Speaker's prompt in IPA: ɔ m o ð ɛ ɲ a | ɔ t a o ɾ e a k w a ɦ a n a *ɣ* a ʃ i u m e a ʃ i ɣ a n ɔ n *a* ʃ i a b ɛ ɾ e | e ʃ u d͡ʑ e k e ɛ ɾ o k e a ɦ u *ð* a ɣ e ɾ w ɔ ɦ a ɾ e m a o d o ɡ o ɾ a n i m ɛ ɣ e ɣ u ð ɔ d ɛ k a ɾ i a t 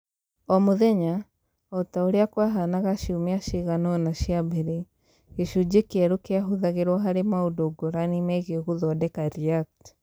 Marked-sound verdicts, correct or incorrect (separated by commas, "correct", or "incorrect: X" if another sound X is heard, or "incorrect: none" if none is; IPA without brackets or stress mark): correct, correct, correct